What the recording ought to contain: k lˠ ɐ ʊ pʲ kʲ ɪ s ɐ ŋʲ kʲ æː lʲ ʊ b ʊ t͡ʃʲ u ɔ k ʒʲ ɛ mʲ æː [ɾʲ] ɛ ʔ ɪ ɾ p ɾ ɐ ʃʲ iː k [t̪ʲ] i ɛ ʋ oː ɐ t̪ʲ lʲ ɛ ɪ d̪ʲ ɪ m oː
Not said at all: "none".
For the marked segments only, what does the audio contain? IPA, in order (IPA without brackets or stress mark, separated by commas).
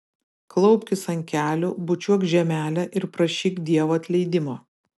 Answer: lʲ, d̪ʲ